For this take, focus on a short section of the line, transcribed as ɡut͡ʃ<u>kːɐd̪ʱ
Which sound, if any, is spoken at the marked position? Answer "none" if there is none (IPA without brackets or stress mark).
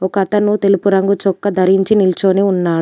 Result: ɔ